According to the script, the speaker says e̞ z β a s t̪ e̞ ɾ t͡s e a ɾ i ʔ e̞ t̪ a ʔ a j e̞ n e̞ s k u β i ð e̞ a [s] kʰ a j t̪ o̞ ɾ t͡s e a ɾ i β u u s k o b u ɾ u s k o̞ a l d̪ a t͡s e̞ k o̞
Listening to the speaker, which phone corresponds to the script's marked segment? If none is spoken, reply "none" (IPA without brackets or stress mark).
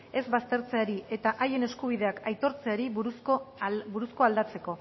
none